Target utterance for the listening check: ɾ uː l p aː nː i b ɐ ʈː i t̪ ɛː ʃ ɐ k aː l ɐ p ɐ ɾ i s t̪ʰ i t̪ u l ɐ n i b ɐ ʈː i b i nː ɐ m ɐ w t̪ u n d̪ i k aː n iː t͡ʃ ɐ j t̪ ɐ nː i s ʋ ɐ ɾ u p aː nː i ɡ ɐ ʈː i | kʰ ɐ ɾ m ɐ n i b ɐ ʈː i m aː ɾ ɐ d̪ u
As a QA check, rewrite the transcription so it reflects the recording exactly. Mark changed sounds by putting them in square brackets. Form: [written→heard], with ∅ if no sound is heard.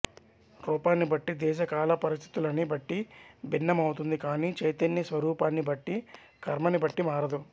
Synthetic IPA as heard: ɾ uː [l→∅] p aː nː i b ɐ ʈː i [t̪→d̪] ɛː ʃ ɐ k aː l ɐ p ɐ ɾ i s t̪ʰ i t̪ u l ɐ n i b ɐ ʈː i b i nː ɐ m ɐ w t̪ u n d̪ i k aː n iː t͡ʃ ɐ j t̪ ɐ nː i s ʋ ɐ ɾ [u→uː] p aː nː i [ɡ→b] ɐ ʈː i | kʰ ɐ ɾ m ɐ n i b ɐ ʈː i m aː ɾ ɐ d̪ u